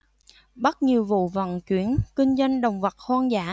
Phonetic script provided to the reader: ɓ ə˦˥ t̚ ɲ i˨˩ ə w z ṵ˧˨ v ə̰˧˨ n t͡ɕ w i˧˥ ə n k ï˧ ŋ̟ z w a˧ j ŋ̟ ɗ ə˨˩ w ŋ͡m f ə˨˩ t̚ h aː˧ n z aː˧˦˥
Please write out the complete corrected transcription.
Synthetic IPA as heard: ɓ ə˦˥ t̚ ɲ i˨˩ ə w v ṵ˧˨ v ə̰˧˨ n t͡ɕ w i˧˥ ə n k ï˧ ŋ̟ z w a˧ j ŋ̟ ɗ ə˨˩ w ŋ͡m v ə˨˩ t̚ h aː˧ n z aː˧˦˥

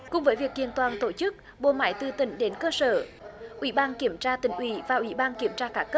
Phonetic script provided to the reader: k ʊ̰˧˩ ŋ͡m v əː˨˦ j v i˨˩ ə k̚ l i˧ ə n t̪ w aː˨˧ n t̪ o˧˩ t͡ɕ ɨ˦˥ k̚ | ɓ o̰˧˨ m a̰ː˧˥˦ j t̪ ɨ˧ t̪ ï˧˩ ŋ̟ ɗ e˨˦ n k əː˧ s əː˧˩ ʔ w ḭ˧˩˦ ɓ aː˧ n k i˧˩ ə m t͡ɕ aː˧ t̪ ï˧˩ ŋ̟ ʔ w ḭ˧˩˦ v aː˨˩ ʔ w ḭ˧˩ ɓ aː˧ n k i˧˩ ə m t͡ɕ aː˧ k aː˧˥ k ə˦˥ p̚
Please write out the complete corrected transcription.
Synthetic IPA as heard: k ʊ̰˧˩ ŋ͡m v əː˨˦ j v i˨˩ ə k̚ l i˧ ə n t̪ w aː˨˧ n t̪ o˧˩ t͡ɕ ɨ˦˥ k̚ | ɓ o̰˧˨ m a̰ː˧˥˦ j t̪ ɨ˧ t̪ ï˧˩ ŋ̟ ɗ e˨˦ n k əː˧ s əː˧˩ ʔ w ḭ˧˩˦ ɓ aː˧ n k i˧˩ ə m t͡ɕ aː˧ t̪ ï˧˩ ŋ̟ ʔ w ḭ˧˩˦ v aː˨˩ ʔ w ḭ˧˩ ɓ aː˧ n k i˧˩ ə m t͡ɕ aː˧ k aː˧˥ k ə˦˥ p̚

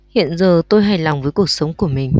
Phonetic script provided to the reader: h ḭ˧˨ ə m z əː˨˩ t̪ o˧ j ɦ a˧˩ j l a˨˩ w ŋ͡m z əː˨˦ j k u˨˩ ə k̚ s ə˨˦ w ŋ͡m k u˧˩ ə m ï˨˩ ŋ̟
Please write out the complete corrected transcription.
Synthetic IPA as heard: h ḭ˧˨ ə n z əː˨˩ t̪ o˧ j ɦ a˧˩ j l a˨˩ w ŋ͡m v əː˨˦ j k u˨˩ ə k̚ s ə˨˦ w ŋ͡m k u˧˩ ə m ï˨˩ ŋ̟

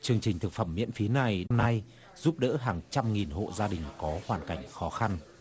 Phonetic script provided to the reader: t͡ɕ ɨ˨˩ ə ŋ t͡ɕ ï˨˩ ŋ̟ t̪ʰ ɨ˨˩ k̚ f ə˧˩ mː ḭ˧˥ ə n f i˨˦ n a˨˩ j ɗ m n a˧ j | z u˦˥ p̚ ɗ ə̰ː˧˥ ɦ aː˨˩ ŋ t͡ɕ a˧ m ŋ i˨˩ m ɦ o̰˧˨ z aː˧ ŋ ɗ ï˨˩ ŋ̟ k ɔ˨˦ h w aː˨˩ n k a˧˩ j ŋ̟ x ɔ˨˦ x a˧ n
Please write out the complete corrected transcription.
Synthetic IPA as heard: t͡ɕ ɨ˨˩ ə ŋ t͡ɕ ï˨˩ ŋ̟ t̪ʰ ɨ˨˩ k̚ f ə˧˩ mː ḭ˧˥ ə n f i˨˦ n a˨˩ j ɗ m n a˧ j | z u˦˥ p̚ ɗ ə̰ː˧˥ ɦ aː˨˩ ŋ t͡ɕ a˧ m ŋ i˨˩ n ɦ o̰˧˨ z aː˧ ɗ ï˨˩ ŋ̟ k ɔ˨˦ h w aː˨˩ n k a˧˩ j ŋ̟ x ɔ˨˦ x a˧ n

